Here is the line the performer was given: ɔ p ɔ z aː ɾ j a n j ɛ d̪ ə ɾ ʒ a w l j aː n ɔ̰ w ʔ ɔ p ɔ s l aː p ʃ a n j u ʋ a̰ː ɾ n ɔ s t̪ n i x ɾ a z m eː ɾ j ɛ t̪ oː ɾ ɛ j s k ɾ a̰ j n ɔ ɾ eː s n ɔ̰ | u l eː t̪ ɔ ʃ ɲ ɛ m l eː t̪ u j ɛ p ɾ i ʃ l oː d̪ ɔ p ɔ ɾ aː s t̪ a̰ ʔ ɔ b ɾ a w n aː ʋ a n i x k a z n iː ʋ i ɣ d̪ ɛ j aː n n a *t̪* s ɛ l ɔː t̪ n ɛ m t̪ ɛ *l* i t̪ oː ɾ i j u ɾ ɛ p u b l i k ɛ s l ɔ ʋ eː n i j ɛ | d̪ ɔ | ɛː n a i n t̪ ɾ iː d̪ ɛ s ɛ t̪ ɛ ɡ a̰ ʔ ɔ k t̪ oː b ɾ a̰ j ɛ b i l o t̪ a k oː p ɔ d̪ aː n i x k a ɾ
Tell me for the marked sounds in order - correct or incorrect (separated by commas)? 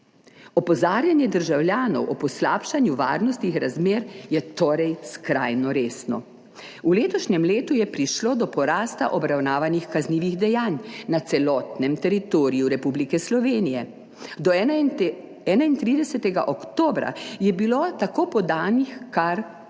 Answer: correct, incorrect